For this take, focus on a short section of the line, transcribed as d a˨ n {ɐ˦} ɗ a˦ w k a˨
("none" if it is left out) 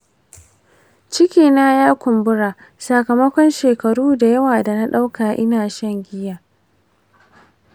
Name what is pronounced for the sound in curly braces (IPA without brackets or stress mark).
a˦